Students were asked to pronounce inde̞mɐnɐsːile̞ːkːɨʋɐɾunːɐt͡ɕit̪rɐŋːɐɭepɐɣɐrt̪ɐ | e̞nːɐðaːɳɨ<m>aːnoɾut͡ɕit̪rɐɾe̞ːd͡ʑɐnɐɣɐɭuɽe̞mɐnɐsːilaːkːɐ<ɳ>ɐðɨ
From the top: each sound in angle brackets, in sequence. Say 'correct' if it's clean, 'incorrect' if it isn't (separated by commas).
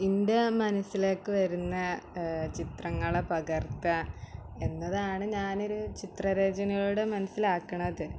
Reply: incorrect, correct